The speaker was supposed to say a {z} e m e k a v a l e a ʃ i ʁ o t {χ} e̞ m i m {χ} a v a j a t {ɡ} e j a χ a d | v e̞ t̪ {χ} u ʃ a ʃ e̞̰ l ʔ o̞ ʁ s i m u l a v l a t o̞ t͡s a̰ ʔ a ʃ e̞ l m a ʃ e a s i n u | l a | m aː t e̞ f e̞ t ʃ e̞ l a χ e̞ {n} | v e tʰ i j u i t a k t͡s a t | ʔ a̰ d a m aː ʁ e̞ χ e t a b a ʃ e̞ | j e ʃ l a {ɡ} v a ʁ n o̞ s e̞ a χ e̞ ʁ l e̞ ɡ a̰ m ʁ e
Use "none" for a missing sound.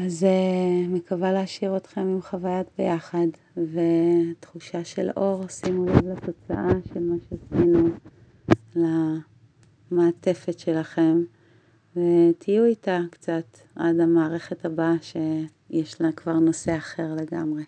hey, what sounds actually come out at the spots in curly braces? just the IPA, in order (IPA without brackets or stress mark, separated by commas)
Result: z, χ, χ, b, χ, m, k